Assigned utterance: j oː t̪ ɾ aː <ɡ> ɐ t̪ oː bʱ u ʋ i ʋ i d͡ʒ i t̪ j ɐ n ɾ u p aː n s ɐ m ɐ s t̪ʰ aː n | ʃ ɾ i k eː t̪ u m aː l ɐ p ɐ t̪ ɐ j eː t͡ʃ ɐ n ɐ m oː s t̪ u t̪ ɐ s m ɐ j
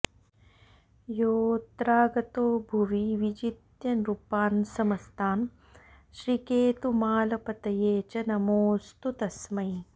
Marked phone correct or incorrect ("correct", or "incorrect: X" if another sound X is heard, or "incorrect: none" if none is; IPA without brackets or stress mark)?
correct